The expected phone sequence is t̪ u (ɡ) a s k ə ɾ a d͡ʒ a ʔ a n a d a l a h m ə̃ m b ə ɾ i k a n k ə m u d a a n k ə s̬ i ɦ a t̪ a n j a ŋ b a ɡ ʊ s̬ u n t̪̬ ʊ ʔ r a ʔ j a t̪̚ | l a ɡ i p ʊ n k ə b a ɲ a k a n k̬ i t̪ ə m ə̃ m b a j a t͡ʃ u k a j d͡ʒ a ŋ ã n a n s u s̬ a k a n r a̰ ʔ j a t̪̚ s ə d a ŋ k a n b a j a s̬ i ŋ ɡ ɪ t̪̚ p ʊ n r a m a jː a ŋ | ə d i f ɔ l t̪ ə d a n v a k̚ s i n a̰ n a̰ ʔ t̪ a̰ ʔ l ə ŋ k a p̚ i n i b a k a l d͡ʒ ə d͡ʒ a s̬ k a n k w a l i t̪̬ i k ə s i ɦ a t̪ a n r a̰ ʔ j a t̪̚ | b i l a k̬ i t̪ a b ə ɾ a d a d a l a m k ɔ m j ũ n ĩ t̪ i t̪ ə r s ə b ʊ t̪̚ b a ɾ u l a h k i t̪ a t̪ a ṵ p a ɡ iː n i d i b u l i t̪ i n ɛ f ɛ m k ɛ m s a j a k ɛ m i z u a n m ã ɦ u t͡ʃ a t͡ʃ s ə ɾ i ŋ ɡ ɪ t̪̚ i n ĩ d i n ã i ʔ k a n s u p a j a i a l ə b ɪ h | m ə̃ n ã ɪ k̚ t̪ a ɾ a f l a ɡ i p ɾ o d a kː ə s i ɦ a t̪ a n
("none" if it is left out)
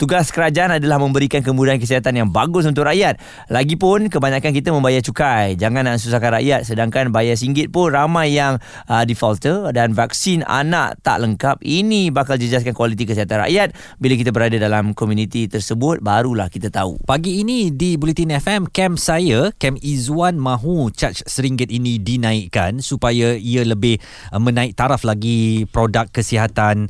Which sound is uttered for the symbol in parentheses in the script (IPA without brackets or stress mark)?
ɡ